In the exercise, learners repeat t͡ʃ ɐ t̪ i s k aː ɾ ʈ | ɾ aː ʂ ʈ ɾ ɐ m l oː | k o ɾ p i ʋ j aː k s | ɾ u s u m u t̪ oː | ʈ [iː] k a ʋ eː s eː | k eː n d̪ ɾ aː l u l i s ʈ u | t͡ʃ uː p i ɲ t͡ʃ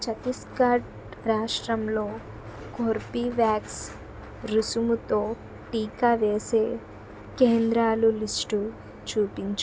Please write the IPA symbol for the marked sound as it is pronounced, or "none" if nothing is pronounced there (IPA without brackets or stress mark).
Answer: iː